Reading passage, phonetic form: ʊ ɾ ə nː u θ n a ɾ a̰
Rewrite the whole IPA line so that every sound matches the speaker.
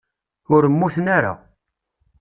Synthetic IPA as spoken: ʊ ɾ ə mː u θ n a ɾ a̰